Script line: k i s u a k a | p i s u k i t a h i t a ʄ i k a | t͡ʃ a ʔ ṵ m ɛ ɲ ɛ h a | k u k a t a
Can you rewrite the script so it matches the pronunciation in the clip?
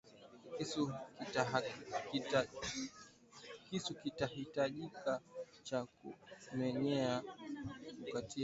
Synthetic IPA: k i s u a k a | k i s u k i t a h i t a ʄ i k a | t͡ʃ a k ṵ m ɛ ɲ ɛ a | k u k a t i